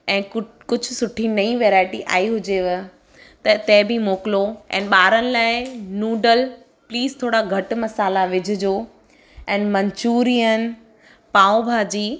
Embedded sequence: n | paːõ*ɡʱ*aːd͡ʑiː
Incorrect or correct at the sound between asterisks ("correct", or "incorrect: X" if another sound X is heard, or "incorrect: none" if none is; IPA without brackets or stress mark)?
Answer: incorrect: bʱ